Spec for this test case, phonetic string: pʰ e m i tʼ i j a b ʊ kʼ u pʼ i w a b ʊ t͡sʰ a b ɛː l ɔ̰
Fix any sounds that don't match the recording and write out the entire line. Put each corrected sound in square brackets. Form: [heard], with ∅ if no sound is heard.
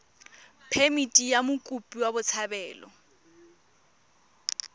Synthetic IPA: pʰ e m i tʼ i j a [m] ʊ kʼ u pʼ i w a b ʊ t͡sʰ a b ɛː l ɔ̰